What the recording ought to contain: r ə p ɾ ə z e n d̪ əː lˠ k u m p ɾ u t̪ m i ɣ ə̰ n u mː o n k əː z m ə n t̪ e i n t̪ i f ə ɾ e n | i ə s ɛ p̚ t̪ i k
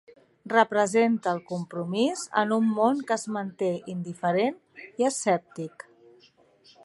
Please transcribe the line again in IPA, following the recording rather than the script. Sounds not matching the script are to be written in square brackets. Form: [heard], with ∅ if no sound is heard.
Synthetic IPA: r ə p ɾ ə z e n [t̪] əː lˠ k u m p ɾ u [∅] m i [z] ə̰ n u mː o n k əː z m ə n t̪ e i n [d̪] i f ə ɾ e n | i ə s ɛ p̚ t̪ i k